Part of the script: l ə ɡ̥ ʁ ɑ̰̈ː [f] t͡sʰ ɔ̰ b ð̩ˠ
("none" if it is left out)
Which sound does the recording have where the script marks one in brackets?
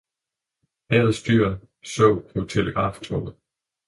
f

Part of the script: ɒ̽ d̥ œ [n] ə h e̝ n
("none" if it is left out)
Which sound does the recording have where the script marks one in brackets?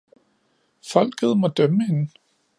m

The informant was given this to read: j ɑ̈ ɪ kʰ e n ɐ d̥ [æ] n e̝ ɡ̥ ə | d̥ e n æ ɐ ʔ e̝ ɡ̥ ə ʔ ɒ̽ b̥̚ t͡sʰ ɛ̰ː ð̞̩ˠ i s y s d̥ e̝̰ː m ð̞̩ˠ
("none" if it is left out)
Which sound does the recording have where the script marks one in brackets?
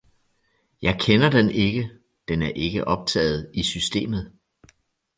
e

